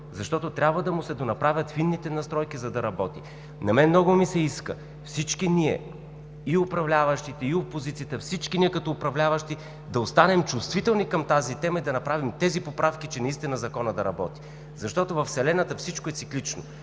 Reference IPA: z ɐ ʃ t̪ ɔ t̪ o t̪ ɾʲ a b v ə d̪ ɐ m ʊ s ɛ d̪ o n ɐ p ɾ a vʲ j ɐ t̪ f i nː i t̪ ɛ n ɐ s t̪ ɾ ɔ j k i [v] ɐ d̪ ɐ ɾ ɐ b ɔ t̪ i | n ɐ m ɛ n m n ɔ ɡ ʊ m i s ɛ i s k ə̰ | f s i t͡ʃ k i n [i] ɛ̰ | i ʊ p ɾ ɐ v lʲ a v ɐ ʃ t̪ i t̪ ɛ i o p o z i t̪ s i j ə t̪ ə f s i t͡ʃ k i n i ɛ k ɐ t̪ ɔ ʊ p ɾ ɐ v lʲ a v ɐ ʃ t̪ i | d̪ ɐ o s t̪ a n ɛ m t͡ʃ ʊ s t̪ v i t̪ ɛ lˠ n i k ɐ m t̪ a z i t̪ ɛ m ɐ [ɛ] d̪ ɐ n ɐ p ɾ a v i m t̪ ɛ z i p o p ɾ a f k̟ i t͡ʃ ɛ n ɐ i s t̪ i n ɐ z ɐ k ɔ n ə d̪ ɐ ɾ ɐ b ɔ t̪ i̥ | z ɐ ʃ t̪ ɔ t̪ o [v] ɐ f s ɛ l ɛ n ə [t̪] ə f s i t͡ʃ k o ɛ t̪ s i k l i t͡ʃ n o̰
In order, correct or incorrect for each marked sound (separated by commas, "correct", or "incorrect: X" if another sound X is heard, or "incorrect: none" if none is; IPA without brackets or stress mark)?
incorrect: z, correct, incorrect: i, correct, correct